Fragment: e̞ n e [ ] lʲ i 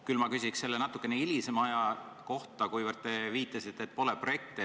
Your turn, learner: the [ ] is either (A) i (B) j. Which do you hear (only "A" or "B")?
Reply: A